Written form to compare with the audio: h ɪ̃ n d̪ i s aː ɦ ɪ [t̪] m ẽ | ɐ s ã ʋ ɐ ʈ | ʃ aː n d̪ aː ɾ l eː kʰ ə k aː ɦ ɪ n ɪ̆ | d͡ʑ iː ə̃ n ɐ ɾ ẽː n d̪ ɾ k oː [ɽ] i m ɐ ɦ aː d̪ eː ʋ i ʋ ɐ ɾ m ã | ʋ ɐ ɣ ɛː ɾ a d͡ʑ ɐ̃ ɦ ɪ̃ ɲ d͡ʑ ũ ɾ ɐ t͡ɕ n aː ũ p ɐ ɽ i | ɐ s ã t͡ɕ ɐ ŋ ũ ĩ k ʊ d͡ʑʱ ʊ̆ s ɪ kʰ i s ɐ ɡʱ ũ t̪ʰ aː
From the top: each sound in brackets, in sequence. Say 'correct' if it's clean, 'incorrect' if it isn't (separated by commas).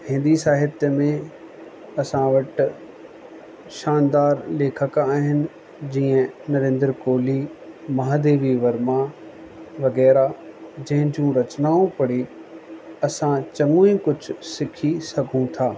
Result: correct, incorrect